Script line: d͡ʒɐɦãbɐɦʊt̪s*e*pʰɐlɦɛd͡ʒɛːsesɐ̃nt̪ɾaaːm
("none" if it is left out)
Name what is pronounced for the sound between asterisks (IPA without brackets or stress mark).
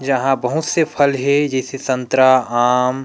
e